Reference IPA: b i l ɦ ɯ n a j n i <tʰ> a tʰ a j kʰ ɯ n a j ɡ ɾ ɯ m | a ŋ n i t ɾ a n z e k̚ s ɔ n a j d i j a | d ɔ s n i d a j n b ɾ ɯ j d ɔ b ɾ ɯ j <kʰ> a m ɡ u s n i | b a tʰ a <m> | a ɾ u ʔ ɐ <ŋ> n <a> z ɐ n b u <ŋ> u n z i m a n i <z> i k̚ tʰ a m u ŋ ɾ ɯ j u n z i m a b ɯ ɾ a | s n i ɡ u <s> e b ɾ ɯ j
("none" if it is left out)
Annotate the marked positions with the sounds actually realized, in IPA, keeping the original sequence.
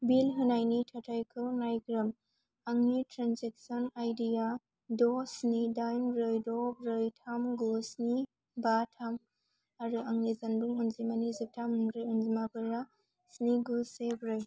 tʰ, tʰ, m, ŋ, i, ŋ, z, s

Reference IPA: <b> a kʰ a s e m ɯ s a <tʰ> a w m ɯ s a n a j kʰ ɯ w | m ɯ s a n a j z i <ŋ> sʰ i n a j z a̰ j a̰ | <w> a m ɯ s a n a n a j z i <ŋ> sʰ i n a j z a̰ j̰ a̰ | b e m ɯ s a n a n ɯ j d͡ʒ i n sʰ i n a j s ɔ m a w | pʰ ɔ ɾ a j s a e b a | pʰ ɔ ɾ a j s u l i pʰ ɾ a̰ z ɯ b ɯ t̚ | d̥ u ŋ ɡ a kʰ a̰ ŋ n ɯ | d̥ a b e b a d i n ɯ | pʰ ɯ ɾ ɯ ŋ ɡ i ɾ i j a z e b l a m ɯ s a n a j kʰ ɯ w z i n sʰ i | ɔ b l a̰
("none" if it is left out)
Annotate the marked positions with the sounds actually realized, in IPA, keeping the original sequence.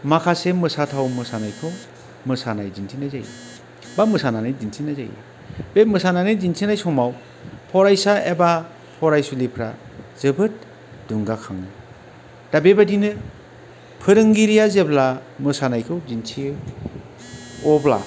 m, tʰ, n, b, n

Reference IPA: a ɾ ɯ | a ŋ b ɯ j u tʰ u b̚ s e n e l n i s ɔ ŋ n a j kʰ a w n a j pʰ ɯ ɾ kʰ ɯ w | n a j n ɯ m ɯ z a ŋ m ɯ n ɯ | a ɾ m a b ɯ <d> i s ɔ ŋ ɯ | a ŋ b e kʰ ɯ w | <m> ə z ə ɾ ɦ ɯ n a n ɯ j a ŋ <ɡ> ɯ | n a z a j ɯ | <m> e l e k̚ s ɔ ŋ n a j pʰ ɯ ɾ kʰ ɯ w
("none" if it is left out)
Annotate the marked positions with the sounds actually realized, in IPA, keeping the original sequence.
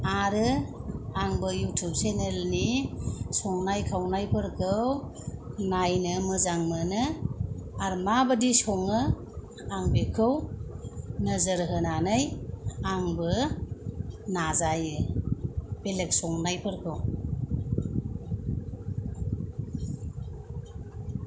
d, n, b, b

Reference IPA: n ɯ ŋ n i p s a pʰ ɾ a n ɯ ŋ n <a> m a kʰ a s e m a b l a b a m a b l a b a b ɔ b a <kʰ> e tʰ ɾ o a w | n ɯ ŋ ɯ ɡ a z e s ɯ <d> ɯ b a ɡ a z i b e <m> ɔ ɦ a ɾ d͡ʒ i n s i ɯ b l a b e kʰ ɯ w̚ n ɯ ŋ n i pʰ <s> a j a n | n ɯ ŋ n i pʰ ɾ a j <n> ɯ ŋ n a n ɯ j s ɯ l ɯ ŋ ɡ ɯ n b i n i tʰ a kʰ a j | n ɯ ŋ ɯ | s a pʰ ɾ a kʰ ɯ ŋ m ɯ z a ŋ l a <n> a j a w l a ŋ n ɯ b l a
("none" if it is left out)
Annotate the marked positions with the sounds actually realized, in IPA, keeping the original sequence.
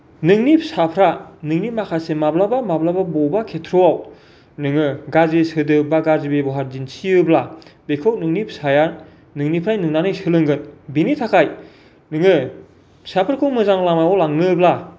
i, kʰ, d, b, s, n, m

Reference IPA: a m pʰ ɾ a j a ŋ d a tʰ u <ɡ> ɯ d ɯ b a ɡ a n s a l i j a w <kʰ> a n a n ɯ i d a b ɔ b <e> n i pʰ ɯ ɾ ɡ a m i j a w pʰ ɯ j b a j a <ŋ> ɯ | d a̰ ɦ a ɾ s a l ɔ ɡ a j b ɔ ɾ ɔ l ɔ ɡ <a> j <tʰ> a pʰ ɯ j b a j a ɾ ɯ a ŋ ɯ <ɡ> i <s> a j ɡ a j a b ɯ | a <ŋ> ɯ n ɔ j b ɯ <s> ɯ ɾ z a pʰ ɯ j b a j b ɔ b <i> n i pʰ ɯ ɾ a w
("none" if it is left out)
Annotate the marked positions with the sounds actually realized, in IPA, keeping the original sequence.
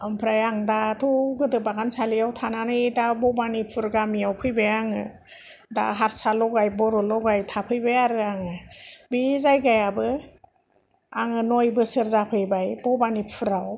ɡ, tʰ, a, ŋ, a, tʰ, b, z, ŋ, s, a

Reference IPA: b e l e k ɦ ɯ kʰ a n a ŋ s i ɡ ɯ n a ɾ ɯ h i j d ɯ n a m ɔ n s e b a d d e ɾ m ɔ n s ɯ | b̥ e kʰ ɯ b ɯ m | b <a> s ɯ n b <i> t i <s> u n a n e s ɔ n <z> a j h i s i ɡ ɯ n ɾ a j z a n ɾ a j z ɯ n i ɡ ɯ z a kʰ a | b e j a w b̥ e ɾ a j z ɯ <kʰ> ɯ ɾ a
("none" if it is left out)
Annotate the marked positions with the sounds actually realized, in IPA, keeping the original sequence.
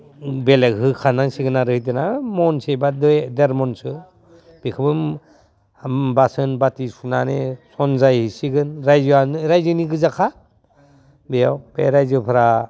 a, a, s, z, pʰ

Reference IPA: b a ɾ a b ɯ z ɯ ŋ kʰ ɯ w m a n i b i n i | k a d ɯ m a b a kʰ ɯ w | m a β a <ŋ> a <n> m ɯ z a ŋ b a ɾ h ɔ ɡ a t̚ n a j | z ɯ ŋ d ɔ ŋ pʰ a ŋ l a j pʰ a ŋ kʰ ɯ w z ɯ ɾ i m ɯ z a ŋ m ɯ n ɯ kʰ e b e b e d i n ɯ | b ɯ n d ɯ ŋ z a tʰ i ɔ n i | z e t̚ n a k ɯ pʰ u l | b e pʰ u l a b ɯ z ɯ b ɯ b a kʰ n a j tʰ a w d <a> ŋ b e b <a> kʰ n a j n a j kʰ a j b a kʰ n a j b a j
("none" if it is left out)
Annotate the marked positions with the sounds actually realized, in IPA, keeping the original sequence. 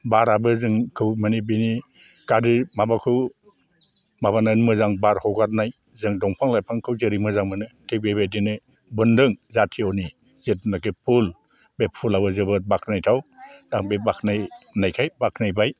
n, n, a, a

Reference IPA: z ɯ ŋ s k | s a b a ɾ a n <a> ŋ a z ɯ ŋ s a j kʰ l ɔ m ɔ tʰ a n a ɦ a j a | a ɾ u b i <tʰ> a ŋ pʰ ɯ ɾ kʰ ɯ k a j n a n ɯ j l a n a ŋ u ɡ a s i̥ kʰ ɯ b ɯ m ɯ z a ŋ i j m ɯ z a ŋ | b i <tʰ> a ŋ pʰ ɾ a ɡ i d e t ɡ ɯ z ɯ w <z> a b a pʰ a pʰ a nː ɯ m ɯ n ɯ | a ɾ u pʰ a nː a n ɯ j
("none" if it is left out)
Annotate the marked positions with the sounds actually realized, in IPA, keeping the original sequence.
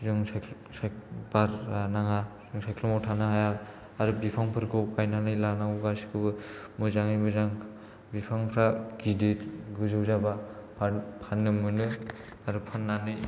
a, pʰ, pʰ, z

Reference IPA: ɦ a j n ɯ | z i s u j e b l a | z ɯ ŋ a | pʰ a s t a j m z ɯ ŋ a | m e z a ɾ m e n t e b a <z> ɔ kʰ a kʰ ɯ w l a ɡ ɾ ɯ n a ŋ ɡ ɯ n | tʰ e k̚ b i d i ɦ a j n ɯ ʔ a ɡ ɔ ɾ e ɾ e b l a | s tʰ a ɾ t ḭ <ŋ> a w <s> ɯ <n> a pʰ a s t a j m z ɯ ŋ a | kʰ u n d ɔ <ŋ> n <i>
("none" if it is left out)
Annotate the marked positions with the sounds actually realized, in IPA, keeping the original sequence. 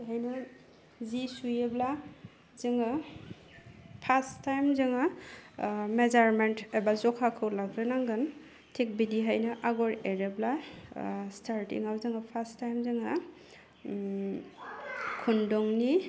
z, ŋ, z, ŋ, ŋ, i

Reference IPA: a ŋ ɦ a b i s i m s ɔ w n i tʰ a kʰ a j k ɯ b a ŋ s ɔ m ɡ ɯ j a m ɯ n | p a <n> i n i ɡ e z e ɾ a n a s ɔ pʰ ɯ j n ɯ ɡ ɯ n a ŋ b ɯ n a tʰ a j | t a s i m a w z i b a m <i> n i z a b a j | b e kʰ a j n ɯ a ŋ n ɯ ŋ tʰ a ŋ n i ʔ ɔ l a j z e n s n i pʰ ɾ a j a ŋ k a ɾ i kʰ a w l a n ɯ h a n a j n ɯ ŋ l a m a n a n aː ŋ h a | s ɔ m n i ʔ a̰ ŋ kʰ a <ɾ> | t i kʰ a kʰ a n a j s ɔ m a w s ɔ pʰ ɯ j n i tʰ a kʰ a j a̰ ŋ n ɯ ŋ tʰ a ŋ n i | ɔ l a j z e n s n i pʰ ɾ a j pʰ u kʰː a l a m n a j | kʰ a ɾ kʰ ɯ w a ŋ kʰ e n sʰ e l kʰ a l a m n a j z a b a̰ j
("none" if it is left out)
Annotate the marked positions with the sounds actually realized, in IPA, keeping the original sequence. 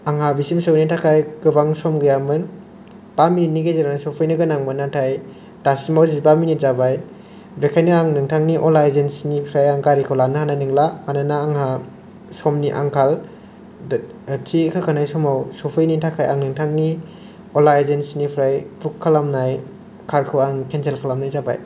m, i, l

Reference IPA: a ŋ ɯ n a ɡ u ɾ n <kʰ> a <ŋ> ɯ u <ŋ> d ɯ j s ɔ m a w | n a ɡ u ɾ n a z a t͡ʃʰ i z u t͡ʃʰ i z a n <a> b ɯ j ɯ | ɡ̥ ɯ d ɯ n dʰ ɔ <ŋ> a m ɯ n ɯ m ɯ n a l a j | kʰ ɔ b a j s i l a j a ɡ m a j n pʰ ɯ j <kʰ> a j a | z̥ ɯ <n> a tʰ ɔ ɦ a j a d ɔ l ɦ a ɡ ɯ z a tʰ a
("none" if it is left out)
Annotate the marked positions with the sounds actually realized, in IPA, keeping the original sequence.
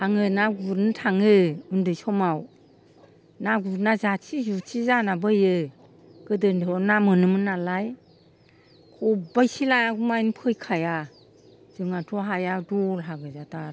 tʰ, ŋ, n, a, n, kʰ, ŋ

